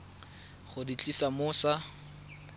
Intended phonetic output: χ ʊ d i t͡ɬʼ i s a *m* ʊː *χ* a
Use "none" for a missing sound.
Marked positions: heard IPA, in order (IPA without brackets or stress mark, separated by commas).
m, s